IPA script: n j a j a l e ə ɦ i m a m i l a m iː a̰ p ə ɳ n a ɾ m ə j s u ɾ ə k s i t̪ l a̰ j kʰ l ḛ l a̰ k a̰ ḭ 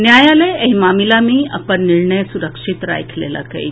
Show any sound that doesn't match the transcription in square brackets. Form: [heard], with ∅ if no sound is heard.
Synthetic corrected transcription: n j a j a l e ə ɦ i m a m i l a m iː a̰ p ə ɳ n [i] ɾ [ɳ] ə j s u ɾ ə k [ʂ] i t̪ [ɾ] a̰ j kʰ l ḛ l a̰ k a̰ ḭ